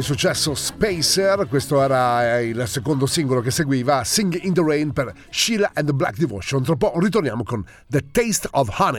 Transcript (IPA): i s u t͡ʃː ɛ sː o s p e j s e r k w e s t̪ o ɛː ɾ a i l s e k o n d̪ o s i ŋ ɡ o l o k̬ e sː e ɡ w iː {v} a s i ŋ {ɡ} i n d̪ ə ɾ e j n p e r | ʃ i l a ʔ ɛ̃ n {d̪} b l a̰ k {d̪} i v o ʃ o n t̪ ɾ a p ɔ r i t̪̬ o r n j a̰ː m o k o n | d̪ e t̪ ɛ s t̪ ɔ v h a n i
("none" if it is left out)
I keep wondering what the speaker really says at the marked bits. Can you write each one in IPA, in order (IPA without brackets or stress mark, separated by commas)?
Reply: v, ɡ, d̪, d̪